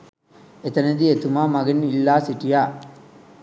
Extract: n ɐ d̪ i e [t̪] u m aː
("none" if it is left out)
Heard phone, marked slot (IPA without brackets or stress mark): t̪